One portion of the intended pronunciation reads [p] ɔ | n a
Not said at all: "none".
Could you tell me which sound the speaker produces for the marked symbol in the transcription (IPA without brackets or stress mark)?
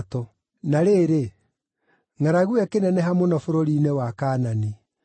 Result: t